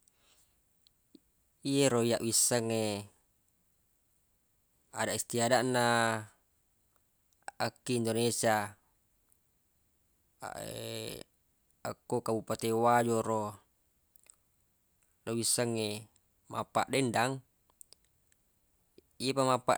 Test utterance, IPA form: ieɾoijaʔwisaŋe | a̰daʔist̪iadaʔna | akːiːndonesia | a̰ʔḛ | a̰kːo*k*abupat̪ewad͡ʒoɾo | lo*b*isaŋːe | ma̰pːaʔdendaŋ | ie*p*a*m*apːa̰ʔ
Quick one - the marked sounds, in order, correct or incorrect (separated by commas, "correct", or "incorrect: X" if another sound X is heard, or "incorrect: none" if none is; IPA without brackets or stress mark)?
correct, incorrect: w, correct, correct